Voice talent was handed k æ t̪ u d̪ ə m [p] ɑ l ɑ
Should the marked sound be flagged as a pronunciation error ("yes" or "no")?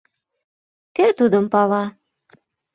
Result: no